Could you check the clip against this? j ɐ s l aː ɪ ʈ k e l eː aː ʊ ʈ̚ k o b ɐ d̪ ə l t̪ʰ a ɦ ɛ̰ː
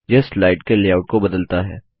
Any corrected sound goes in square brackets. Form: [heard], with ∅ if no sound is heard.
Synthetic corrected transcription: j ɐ s l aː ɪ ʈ k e l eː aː ʊ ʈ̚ k o b ɐ d̪ ə l [t̪] a ɦ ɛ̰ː